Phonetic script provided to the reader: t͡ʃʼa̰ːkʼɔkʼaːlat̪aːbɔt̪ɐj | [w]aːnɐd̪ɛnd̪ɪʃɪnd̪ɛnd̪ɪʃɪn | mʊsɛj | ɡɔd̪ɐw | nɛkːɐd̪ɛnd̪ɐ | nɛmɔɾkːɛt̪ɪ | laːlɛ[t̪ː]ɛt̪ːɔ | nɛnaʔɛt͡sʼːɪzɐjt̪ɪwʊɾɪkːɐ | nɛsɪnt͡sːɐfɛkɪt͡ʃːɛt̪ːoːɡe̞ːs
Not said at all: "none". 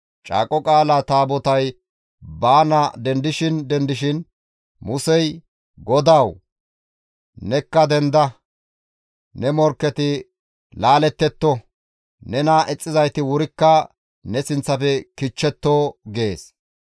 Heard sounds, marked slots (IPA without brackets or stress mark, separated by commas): b, t̪ː